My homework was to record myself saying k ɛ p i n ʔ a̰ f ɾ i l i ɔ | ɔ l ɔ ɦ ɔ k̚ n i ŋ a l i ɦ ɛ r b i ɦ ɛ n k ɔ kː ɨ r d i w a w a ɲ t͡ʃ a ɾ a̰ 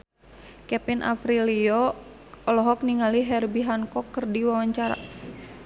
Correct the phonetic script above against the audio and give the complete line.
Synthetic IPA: k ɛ p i n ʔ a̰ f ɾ i l i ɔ | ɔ l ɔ ɦ ɔ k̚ n i ŋ a l i ɦ ɛ r b i ɦ a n k ɔ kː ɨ r d i w a w a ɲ t͡ʃ a ɾ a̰